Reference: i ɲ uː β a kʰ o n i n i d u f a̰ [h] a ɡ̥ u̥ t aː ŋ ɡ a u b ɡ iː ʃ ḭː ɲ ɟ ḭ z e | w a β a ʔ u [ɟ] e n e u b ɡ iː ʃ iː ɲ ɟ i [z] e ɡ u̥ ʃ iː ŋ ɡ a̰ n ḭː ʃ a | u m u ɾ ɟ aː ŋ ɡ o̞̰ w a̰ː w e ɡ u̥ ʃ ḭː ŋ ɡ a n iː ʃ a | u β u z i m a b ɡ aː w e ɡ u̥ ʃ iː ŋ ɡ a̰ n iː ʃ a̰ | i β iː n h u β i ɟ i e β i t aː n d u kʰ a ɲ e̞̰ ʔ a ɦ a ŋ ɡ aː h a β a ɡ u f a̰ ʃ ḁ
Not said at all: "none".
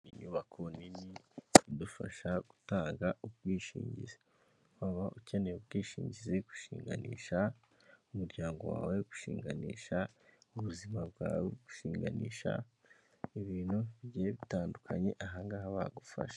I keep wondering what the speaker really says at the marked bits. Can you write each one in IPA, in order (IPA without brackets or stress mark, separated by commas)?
ʃ, c, z